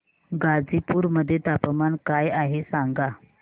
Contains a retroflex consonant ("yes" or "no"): no